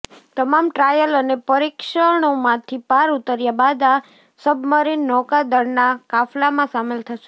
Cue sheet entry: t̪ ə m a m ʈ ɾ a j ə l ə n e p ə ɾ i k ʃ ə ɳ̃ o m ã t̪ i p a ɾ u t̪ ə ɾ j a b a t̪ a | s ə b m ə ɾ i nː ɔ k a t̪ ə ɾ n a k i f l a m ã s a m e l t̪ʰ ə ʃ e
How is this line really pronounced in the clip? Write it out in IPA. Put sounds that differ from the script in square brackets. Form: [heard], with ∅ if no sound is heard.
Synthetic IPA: t̪ ə m a m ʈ ɾ a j ə l ə n e p ə ɾ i k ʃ ə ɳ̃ o m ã [t̪ʰ] i p a ɾ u t̪ ə ɾ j a b a [d̪] a | s ə b m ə ɾ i nː ɔ k a [d̪] ə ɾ n a k [a] f l a m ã s a m e l t̪ʰ ə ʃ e